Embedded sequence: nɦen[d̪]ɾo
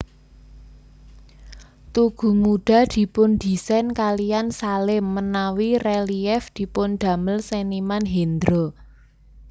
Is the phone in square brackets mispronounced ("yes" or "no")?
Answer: no